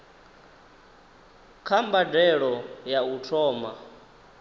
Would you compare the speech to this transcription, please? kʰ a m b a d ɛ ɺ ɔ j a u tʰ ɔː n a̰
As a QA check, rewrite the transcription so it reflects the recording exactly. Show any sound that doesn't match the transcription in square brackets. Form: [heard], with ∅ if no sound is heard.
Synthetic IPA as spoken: kʰ a m b a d ɛ ɺ ɔ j a u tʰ ɔː [m] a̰